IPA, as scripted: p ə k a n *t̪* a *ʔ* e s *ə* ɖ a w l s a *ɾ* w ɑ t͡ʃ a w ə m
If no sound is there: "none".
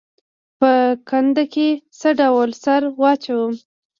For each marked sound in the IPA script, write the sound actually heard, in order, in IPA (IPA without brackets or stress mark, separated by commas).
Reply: d̪, k, ə, ɾ